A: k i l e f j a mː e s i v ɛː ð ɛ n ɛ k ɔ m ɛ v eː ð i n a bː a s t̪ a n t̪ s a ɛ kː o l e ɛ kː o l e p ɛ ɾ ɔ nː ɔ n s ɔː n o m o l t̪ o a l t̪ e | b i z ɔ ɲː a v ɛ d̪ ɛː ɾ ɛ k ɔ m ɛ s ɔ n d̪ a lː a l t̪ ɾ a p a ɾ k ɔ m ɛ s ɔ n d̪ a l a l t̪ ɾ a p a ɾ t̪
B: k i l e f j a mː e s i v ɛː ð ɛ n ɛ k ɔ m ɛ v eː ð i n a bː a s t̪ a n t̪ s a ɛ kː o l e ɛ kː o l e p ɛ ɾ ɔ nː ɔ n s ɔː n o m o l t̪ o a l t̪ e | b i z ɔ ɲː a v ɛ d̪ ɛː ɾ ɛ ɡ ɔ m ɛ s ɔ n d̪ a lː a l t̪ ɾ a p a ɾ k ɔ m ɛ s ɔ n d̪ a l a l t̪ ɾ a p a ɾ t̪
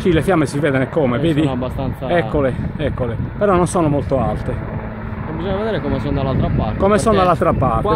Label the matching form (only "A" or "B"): A